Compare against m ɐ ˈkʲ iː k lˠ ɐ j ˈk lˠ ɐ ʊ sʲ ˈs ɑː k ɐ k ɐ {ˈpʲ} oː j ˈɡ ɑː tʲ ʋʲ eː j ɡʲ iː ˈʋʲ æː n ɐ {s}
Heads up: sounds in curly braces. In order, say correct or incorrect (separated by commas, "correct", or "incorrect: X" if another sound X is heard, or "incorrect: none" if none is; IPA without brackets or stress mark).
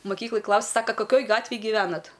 incorrect: kʲ, incorrect: t